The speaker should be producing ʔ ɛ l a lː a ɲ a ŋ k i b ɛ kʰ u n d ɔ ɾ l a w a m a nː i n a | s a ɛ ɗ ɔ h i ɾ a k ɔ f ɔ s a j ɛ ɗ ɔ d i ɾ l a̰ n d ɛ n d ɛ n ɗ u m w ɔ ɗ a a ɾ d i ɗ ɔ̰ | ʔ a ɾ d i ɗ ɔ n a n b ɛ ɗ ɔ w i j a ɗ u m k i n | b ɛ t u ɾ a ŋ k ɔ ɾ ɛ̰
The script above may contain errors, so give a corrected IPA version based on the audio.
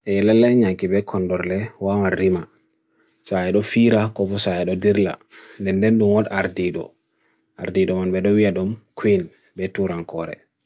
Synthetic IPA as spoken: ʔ ɛ l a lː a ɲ a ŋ k i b ɛ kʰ ɔ n d ɔ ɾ l ɛ w a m a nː i m a | s a ɛ ɗ ɔ f i ɾ a k ɔ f ɔ s a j ɛ ɗ ɔ d i ɾ l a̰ n d ɛ n d ɛ n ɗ u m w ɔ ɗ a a ɾ d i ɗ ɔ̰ | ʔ a ɾ d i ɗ ɔ m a n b ɛ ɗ ɔ w i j a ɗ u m k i n | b ɛ t u ɾ a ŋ k ɔ ɾ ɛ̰